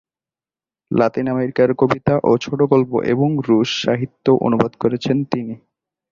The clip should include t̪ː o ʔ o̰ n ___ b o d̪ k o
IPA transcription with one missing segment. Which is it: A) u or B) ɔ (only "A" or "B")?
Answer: A